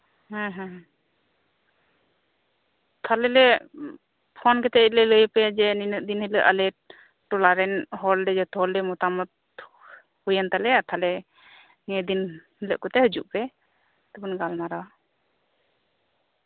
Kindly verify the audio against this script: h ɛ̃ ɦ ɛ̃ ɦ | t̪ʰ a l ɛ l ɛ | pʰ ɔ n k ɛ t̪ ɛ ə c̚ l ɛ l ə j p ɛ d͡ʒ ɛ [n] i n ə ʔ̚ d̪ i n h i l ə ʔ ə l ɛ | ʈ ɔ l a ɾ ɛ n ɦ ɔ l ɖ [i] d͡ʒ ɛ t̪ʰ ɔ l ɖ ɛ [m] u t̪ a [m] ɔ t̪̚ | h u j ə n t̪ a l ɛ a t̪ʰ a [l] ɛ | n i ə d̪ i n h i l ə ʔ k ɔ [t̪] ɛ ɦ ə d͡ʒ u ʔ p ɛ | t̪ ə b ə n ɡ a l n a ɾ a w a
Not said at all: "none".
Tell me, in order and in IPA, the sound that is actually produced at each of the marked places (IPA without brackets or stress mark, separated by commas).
n, ɛ, m, m, l, t̪